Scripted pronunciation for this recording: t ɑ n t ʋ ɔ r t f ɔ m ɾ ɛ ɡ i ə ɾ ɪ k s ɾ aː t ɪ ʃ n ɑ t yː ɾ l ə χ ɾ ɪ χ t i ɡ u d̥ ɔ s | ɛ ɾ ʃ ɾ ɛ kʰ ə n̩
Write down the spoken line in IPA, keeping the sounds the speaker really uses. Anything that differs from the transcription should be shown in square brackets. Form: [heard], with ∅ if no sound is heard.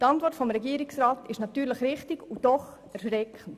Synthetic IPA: t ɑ n t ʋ ɔ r t f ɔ m ɾ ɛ ɡ i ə ɾ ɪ k s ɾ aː t ɪ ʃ n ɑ t yː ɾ l ə χ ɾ ɪ χ t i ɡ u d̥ ɔ [χ] | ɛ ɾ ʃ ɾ ɛ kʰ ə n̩